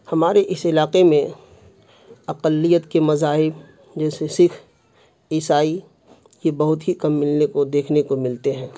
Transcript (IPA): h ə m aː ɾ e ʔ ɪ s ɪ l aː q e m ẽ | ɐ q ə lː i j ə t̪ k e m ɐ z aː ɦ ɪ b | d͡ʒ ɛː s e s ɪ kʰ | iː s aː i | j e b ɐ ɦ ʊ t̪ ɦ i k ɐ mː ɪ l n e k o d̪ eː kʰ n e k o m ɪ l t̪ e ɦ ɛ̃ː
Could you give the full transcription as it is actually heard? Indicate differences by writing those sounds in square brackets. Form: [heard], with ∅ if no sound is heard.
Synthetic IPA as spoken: h [ɐ] m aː ɾ e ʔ ɪ s ɪ l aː q e m ẽ | ɐ q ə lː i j ə t̪ k e m ɐ z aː ɦ ɪ b | d͡ʒ ɛː s e s ɪ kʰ | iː s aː i | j e b ɐ ɦ ʊ t̪ ɦ i k ɐ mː ɪ l n e k o d̪ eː kʰ n e k o m ɪ l t̪ e ɦ ɛ̃ː